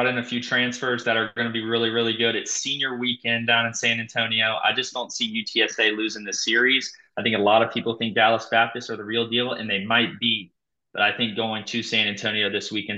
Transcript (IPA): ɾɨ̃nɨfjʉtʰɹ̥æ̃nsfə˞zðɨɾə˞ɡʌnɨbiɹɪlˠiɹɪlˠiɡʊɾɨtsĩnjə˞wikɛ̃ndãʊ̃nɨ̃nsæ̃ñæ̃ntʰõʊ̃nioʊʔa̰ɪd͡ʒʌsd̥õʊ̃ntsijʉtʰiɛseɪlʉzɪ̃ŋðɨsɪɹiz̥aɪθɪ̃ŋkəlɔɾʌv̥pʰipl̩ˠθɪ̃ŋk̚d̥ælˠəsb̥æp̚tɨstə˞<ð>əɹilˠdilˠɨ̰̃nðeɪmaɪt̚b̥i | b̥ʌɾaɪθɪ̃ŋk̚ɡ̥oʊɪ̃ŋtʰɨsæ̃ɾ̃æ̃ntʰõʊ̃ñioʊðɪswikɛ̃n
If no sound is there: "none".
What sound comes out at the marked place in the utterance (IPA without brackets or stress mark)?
ð